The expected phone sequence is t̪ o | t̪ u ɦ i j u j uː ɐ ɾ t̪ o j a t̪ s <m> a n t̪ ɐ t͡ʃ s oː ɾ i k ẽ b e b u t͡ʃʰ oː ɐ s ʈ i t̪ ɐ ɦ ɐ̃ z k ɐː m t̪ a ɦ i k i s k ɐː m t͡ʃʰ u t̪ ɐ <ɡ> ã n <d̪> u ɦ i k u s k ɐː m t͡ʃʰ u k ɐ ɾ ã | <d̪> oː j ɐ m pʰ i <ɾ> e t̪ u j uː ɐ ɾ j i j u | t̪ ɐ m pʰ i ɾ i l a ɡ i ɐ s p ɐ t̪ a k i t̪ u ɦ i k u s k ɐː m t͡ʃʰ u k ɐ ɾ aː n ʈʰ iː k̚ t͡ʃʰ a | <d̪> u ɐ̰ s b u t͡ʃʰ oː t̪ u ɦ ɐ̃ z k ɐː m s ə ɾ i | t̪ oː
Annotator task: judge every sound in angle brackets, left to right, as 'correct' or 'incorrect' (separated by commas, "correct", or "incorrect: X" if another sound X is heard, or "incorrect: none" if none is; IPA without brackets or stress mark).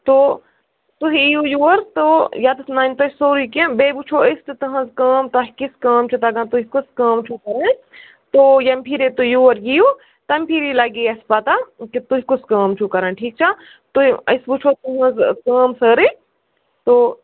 incorrect: n, correct, incorrect: t̪, incorrect: t̪, correct, incorrect: t̪